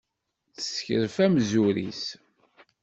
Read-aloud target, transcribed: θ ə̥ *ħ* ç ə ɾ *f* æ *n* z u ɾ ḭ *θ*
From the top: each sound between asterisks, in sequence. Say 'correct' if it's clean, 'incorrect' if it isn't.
incorrect, correct, incorrect, incorrect

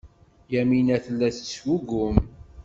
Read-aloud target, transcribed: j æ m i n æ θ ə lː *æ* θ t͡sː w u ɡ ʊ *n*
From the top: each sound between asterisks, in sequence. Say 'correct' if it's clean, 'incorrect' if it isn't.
correct, incorrect

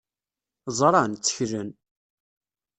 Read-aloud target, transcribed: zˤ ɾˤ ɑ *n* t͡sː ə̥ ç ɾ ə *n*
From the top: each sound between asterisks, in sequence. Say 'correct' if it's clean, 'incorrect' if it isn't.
correct, correct

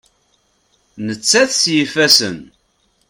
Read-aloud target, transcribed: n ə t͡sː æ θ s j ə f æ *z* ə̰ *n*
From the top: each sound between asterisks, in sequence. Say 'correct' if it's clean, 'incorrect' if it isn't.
incorrect, correct

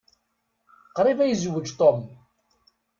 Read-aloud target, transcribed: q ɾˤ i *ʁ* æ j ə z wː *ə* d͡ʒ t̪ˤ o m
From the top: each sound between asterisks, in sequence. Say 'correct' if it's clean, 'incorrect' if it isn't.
incorrect, correct

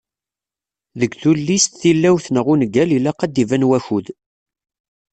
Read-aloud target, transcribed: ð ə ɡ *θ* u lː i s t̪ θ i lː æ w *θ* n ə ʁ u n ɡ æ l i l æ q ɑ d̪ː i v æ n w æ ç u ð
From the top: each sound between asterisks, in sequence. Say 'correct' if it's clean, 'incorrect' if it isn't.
correct, correct

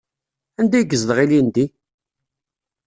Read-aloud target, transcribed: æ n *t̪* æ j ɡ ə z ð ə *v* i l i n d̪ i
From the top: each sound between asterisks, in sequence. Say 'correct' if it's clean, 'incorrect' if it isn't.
incorrect, incorrect

